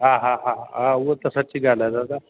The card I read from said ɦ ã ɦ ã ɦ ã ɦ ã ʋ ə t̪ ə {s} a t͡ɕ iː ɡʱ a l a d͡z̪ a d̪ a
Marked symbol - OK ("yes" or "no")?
yes